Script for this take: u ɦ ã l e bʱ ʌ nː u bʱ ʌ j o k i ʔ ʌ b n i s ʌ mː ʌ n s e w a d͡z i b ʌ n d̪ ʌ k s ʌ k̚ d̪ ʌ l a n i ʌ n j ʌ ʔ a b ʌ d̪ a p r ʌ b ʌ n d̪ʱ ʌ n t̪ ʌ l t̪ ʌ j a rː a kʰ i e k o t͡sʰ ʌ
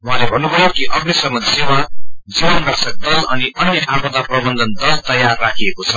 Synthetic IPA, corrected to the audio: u ɦ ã l e bʱ ʌ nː u bʱ ʌ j o k i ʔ ʌ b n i s ʌ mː ʌ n s e w a d͡z i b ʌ n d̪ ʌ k s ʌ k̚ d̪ ʌ l ʌ n i ʌ n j ʌ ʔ a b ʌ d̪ a p r ʌ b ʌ n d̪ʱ ʌ n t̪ ʌ l t̪ ʌ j a rː a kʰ i e k o t͡sʰ ʌ